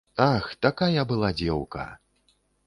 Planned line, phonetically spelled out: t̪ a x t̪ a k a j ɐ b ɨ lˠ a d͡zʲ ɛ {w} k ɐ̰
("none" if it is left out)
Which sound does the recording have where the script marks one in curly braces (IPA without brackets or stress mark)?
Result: w